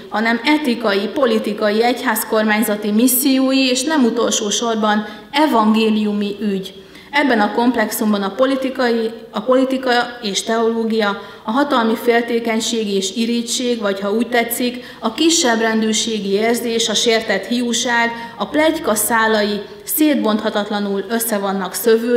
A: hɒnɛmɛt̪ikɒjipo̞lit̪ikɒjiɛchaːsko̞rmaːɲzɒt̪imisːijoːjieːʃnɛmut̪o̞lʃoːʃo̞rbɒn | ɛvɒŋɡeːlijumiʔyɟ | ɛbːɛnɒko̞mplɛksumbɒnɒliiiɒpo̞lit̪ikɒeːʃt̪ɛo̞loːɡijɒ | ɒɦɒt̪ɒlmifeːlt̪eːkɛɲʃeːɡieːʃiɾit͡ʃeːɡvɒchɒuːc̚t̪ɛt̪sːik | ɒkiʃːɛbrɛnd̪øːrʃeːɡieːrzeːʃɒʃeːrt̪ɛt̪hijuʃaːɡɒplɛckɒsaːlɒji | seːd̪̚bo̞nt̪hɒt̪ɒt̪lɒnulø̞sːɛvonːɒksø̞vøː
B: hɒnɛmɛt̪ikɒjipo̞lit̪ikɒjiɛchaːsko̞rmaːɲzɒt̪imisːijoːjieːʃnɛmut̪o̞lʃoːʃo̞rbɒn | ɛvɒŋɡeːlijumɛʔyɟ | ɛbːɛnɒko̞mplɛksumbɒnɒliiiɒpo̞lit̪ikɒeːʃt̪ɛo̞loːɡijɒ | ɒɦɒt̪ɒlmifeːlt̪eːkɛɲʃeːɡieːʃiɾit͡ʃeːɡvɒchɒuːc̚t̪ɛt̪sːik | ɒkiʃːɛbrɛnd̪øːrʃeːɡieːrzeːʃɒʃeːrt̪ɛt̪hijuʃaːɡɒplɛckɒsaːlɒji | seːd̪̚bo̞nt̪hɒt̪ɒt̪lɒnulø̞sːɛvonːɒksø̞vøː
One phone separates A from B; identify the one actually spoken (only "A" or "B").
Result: A